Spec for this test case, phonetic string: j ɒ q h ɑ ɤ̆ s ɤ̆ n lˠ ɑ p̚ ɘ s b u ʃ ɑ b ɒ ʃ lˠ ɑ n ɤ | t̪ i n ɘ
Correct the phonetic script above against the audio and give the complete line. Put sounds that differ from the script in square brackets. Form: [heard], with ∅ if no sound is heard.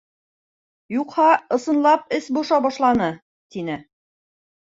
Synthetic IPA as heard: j [u] q h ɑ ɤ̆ s ɤ̆ n lˠ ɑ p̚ ɘ s b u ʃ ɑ b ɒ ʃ lˠ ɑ n ɤ | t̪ i n ɘ